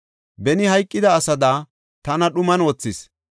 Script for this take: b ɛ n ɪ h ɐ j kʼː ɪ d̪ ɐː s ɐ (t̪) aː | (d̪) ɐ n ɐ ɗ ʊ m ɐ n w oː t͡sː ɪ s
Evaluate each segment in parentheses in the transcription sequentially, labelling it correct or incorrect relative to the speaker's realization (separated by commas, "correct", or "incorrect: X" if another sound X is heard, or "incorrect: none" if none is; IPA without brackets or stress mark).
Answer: incorrect: d̪, incorrect: t̪